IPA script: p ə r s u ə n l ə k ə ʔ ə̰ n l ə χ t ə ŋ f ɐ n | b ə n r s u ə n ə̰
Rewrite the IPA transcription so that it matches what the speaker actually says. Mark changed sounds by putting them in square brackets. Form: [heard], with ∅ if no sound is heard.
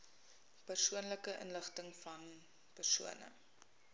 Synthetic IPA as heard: p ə r s u ə n l ə k ə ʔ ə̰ n l ə χ t ə ŋ f ɐ n | [p] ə [∅] r s u ə n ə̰